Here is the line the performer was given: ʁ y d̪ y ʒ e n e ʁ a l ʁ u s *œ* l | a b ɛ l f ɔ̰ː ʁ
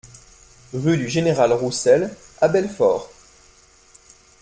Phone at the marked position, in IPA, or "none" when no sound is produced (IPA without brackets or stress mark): ɛ